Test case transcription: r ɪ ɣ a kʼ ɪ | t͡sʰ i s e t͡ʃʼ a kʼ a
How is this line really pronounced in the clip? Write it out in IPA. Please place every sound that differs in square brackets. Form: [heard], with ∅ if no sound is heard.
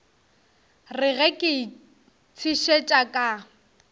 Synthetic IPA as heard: r ɪ ɣ [ɛ] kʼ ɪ | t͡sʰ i [ʃ] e t͡ʃʼ a kʼ a